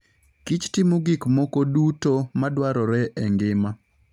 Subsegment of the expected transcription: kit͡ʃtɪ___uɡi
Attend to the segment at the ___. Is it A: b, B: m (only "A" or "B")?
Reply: B